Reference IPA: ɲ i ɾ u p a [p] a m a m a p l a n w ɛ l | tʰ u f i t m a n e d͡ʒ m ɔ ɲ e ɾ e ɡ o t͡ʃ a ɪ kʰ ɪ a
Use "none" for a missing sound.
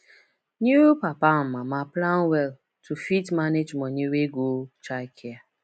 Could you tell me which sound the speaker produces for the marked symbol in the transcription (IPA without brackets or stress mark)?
p